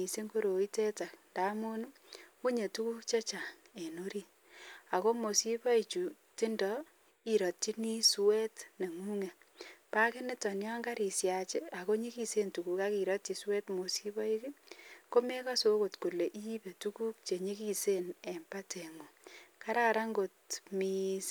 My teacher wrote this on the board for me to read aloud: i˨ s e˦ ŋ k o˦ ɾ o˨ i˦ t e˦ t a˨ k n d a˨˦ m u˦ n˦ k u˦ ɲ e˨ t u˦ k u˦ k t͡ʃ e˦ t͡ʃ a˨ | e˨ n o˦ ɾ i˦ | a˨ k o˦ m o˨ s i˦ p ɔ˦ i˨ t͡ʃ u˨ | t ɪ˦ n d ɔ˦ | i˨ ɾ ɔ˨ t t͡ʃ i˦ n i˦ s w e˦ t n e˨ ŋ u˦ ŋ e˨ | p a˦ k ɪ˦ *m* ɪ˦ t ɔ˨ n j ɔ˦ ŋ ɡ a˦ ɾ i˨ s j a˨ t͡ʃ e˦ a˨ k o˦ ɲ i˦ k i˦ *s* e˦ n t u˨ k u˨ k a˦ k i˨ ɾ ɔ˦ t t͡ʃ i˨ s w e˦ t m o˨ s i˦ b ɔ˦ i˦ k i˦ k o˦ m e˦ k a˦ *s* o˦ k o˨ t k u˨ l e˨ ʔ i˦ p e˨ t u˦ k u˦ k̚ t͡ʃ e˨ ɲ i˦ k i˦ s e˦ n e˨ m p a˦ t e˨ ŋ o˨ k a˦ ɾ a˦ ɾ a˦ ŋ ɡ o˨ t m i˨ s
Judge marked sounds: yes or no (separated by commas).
no, yes, yes